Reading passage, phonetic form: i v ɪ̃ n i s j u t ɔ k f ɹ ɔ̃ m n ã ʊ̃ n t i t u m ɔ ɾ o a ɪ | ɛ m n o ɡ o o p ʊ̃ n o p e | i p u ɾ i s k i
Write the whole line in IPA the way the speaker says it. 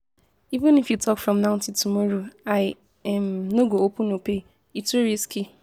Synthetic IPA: i v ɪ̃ n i f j u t ɔ k f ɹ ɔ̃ m n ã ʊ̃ n t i t u m ɔ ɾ o a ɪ | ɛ m n o ɡ o o p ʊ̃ n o p e | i t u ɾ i s k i